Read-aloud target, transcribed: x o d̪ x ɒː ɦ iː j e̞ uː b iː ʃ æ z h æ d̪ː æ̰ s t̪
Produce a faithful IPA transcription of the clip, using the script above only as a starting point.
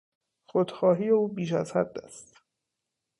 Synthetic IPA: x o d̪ x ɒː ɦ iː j e̞ uː b iː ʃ æ z h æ d̪ː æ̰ s t̪